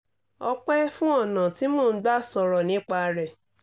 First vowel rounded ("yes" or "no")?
yes